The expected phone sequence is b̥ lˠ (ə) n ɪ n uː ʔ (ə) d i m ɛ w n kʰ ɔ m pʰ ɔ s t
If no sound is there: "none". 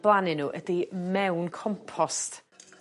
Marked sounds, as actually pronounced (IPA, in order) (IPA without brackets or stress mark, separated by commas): a, ə